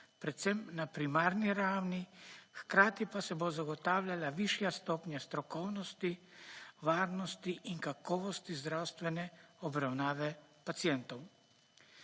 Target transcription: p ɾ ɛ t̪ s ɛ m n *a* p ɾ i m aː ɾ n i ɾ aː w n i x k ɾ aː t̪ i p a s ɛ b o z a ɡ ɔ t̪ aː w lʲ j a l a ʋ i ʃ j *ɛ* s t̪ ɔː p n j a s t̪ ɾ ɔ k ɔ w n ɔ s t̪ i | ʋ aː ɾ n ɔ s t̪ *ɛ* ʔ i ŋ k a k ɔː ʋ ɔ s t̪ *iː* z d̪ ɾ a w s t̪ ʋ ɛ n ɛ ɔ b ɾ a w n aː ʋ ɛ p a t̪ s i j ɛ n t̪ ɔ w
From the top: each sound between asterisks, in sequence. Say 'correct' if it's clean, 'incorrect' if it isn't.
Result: correct, incorrect: a, incorrect: i, incorrect: i

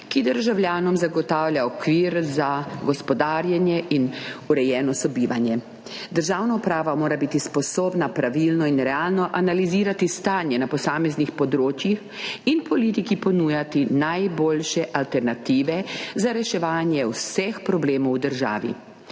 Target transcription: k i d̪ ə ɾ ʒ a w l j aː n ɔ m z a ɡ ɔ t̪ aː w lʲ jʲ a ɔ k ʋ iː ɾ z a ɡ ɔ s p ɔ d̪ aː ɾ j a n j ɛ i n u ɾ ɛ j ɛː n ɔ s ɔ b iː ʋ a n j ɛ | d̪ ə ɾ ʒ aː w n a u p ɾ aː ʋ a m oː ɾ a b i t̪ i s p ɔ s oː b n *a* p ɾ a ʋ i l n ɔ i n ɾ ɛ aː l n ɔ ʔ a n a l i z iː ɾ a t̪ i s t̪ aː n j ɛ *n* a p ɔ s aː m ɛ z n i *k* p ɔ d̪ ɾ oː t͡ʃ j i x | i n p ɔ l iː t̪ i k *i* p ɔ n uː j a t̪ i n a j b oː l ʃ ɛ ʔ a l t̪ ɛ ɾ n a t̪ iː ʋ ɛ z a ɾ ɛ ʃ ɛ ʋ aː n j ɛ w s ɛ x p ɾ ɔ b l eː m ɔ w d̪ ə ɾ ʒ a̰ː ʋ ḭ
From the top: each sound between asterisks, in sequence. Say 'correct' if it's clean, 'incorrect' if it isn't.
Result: correct, correct, incorrect: x, correct

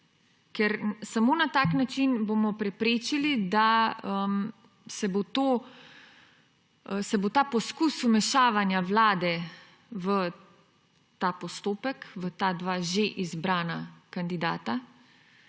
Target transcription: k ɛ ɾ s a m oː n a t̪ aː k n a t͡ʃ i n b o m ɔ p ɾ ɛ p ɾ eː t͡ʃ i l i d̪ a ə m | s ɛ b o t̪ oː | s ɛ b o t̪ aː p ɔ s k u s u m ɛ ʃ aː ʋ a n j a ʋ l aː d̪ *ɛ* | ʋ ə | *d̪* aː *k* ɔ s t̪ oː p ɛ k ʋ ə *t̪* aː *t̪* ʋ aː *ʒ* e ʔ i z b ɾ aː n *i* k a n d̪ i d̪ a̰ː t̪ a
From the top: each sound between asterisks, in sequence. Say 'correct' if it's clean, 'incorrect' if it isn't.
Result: correct, incorrect: t̪, incorrect: p, correct, incorrect: d̪, correct, incorrect: a

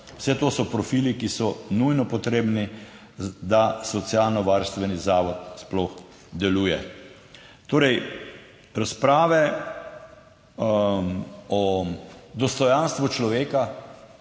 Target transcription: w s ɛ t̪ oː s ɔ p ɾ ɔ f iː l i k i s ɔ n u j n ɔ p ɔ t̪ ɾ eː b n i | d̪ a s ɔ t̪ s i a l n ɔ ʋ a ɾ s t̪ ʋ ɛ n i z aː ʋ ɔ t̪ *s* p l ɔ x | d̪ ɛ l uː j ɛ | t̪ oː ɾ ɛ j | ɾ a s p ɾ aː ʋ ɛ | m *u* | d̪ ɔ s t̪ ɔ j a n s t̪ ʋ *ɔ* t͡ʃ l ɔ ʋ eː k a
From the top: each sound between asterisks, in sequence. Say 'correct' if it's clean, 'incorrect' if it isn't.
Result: correct, incorrect: ɔ, incorrect: u

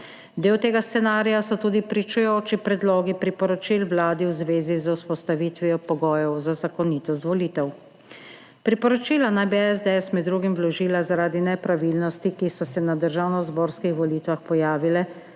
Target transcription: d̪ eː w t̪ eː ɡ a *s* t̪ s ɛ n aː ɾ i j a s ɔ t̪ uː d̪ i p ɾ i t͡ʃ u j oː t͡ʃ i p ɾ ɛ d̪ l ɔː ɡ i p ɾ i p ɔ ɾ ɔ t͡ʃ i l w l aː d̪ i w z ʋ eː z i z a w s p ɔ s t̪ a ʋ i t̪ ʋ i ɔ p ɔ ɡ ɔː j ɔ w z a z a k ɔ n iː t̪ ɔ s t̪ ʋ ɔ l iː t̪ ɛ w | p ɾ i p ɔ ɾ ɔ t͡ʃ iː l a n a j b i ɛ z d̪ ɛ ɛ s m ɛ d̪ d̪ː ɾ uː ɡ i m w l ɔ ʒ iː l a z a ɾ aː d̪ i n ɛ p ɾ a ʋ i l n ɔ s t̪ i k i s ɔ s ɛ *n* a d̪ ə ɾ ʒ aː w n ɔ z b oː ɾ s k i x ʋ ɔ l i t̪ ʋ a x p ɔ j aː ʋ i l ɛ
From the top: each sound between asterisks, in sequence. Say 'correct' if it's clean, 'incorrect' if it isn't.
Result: correct, correct

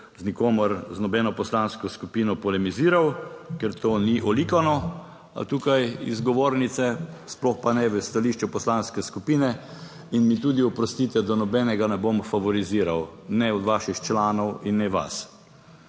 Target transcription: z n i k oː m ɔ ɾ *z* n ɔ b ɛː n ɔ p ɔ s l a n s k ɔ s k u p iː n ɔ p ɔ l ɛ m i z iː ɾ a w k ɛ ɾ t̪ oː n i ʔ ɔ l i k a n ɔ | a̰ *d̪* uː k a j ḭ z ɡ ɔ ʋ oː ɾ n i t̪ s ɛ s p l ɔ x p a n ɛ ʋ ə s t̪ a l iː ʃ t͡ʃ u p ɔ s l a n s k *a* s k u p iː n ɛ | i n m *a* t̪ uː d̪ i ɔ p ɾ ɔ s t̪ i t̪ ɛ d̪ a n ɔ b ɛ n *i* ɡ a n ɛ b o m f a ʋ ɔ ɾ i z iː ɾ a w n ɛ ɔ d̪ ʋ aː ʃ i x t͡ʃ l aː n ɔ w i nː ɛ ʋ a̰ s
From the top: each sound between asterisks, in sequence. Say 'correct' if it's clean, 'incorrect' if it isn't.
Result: correct, incorrect: t̪, incorrect: ɛ, incorrect: i, incorrect: ɛ

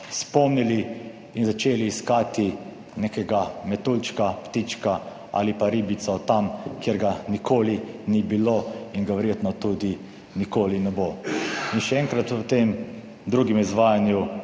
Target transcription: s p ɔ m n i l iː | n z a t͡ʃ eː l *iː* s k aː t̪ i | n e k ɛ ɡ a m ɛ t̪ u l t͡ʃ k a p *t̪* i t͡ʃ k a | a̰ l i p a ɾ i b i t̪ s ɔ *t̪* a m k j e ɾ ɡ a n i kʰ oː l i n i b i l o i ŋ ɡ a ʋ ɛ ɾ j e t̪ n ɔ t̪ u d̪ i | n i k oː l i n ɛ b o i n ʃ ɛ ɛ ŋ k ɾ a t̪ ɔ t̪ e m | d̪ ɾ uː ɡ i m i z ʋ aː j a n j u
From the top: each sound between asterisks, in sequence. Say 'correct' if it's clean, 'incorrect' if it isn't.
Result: correct, correct, correct

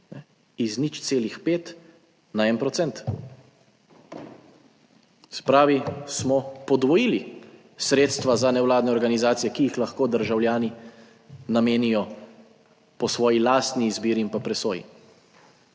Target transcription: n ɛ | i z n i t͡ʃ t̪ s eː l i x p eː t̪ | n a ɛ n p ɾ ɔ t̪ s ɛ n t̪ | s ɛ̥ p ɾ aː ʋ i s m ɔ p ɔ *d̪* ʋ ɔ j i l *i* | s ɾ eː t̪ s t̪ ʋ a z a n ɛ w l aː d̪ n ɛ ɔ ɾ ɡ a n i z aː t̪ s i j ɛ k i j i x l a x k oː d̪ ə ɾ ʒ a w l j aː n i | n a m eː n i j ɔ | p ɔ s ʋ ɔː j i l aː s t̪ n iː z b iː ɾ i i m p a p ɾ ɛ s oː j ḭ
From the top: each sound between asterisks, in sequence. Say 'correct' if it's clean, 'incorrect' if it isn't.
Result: correct, correct

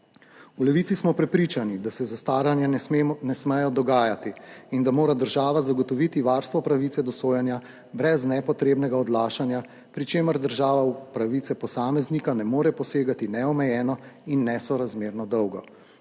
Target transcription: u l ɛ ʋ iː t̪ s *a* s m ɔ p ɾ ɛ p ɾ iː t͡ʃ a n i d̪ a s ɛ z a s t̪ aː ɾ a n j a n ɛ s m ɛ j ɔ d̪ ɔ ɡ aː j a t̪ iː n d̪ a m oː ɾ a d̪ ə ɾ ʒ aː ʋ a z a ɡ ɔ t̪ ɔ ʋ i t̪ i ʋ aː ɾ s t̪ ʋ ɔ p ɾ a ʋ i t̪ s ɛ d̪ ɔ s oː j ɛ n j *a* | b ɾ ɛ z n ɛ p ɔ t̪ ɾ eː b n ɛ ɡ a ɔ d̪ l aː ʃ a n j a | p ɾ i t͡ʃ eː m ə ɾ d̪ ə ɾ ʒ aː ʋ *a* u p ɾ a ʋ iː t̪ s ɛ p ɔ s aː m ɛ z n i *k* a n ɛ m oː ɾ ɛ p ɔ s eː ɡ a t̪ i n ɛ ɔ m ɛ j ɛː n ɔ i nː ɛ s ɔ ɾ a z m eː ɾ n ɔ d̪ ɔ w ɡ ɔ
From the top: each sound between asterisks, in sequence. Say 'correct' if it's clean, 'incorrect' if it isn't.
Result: incorrect: i, correct, correct, correct

